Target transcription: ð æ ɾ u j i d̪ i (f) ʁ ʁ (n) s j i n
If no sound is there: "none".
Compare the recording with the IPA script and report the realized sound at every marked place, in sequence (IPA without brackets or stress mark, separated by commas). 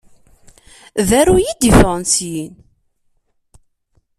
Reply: f, n